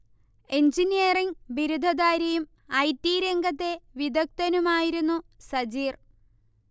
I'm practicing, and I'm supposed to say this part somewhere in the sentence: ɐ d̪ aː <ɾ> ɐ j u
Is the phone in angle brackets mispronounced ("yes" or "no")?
no